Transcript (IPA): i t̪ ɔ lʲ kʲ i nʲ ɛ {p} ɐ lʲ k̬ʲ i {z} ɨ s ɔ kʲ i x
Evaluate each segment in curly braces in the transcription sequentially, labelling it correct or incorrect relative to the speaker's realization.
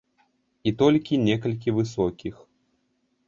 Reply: incorrect: k, incorrect: v

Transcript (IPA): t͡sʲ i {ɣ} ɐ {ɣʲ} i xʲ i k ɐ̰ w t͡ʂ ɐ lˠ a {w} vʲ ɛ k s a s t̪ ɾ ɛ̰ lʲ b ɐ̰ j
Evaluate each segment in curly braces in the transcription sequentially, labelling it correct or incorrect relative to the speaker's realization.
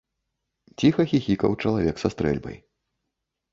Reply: incorrect: x, incorrect: xʲ, incorrect: none

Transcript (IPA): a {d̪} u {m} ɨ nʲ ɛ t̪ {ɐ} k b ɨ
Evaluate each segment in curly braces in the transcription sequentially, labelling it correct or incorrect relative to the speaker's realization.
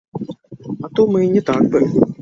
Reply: incorrect: t̪, correct, incorrect: a

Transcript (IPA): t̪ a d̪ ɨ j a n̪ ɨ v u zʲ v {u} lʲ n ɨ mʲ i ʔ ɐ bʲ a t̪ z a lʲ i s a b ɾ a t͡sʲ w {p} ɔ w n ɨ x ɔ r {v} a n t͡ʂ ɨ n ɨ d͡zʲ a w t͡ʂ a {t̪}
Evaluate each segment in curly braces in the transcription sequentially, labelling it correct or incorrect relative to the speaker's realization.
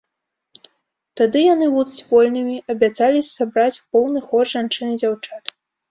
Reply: incorrect: ɔ, correct, incorrect: ʐ, correct

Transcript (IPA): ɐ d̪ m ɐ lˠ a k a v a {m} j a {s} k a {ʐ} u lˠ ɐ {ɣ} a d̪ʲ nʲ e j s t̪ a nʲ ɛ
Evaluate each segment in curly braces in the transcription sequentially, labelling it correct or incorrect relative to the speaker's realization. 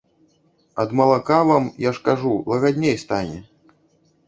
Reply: correct, incorrect: ʂ, correct, correct

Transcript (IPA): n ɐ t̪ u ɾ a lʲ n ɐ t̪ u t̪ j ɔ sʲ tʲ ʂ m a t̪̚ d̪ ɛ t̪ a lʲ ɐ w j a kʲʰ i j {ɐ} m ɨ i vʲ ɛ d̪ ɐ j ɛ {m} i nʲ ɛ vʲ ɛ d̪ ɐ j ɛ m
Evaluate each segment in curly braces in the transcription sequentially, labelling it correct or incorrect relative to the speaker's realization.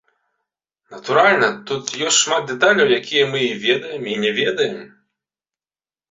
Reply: correct, correct

